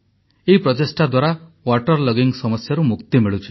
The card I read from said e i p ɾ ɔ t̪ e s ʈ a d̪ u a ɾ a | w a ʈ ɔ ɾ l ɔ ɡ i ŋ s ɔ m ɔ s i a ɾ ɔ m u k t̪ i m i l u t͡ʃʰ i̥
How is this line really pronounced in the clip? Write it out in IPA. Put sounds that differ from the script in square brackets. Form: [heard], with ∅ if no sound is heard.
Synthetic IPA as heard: e i p ɾ ɔ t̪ e s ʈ a d̪ [w] a ɾ a | w a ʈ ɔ ɾ l ɔ ɡ i ŋ s ɔ m ɔ s [j] a ɾ [u] m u k t̪ i m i [ɭ] u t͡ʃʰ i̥